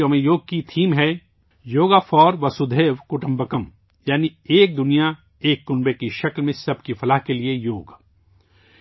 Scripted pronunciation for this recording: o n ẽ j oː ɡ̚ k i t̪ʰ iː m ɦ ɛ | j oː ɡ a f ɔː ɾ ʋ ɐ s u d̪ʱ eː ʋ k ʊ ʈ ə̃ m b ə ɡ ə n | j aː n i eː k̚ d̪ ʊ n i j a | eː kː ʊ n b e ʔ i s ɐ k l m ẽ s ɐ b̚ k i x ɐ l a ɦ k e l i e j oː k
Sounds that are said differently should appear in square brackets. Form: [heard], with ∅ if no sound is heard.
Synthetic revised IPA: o [m] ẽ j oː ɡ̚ k i t̪ʰ iː m ɦ ɛ | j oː ɡ a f ɔː ɾ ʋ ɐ s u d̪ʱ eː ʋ k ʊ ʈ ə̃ m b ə [k] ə [m] | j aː n i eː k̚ d̪ ʊ n i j a | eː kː ʊ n b e [k] i [ʃ] ɐ k l m ẽ s ɐ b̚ k i [f] ɐ l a ɦ k e l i e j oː [ɡ]